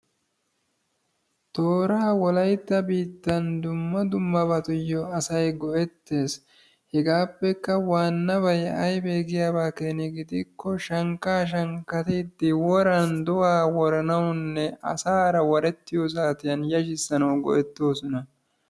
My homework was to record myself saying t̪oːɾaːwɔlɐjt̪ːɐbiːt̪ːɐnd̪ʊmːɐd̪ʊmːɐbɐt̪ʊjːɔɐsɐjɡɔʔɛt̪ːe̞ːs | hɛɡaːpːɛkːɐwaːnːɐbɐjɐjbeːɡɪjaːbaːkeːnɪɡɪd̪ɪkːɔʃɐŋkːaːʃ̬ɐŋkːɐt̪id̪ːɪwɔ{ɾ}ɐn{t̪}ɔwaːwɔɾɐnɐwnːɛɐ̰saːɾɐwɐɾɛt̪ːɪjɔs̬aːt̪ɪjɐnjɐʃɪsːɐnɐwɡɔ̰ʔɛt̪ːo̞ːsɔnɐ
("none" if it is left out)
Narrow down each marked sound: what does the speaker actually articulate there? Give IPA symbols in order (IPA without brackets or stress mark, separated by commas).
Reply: ɾ, d̪